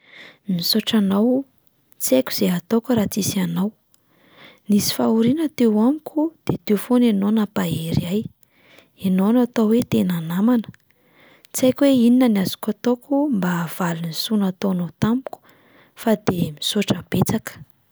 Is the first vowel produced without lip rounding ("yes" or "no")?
yes